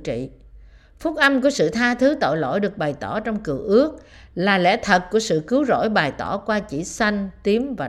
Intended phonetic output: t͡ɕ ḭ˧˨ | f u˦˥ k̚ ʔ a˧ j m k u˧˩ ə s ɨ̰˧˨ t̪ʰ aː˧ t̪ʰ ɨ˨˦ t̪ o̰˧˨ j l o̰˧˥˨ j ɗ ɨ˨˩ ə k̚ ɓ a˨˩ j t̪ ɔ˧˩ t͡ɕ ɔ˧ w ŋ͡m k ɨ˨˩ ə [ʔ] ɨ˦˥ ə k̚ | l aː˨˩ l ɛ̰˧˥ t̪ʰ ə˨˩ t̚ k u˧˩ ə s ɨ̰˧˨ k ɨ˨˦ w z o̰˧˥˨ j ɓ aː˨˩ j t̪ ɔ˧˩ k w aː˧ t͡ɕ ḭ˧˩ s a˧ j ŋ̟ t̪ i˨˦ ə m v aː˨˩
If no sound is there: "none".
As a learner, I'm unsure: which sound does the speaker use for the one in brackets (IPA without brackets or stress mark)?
ʔ